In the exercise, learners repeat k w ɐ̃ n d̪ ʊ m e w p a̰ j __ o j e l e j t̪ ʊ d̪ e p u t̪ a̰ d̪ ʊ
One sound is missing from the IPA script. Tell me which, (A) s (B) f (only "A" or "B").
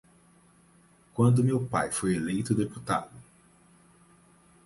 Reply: B